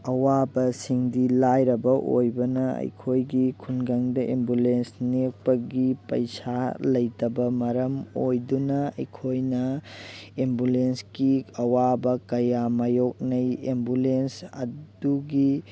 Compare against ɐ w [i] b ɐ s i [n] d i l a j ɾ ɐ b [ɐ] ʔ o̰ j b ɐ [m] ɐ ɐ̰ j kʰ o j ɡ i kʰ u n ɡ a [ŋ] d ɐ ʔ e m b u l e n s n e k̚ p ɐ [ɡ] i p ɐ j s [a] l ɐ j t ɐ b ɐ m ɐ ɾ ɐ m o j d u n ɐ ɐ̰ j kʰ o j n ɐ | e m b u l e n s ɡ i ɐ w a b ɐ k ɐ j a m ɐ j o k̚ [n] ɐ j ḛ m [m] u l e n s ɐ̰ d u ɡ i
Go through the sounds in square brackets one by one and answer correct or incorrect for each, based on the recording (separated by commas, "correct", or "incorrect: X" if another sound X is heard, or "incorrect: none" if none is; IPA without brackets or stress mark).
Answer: incorrect: a, incorrect: ŋ, correct, incorrect: n, correct, correct, correct, correct, incorrect: b